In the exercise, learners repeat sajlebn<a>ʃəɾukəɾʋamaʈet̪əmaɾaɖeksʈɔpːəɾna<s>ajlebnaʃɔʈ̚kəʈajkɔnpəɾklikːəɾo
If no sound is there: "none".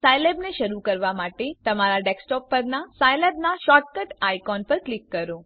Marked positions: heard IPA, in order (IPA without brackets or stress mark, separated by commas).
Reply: e, s